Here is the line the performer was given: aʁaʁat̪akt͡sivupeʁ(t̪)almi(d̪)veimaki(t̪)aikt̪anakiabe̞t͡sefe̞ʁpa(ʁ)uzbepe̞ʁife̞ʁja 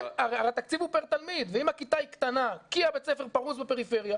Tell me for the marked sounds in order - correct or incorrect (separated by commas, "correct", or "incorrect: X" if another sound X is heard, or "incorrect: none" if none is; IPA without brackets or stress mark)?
correct, correct, correct, correct